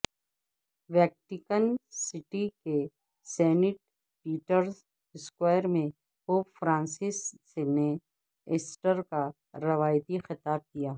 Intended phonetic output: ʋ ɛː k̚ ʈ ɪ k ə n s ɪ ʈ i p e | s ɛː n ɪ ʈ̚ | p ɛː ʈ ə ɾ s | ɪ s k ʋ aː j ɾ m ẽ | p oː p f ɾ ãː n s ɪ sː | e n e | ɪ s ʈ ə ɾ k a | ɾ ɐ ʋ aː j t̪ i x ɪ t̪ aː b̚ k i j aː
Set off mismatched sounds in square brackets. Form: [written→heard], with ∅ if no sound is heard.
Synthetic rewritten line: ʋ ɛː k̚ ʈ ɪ k ə n s ɪ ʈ i [p→k] e | s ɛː n ɪ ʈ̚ | p [ɛː→iː] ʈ ə ɾ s | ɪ s k [ʋ→w] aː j ɾ m ẽ | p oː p f ɾ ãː n s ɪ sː | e n e | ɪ s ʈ ə ɾ k a | ɾ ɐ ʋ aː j t̪ i x ɪ t̪ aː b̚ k i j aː